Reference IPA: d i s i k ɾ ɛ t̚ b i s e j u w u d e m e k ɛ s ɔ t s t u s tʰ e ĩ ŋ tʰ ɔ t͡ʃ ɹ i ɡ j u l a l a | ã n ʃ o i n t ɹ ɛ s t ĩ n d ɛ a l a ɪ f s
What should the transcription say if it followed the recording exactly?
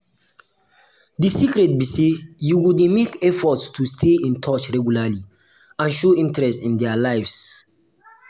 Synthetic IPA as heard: d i s i k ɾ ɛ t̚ b i s e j u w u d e m e k ɛ f ɔ t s t u s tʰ e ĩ n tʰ ɔ t͡ʃ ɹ ɛ ɡ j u l a l i | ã n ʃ o ĩ n t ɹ ɛ s t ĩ n d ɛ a l a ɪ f s